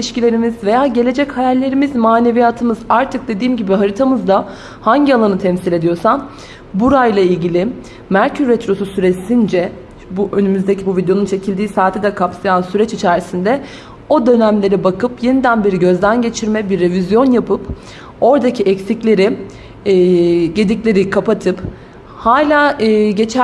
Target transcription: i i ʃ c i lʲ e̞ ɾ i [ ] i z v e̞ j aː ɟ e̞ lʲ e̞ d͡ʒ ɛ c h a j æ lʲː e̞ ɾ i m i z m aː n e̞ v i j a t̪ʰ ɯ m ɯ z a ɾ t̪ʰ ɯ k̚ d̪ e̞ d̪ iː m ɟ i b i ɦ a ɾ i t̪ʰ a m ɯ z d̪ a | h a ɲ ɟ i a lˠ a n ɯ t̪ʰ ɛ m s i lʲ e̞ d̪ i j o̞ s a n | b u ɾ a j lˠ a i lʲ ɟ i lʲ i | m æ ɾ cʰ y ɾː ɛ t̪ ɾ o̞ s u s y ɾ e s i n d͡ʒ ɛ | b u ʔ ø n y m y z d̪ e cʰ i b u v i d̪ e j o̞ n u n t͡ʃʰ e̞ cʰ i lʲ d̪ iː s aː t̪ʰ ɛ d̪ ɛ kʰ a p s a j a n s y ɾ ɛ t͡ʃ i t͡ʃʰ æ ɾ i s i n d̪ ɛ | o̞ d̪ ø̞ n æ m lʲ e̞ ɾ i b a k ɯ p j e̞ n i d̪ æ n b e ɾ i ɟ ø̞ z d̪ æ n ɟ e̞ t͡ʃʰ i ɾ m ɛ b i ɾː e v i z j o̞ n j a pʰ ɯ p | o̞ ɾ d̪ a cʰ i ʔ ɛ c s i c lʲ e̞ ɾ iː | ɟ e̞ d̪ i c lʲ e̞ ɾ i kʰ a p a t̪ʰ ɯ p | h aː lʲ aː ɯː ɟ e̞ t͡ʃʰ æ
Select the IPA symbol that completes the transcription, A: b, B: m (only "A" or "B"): B